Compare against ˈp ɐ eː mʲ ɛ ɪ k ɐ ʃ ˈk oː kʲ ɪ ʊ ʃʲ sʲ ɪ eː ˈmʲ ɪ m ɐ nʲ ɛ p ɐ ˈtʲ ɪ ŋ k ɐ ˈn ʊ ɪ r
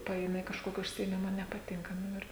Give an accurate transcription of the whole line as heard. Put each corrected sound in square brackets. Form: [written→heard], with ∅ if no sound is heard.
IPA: ˈp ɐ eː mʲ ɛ ɪ k ɐ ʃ ˈk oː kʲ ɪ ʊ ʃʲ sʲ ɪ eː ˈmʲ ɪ m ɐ nʲ ɛ p ɐ ˈtʲ ɪ ŋ k ɐ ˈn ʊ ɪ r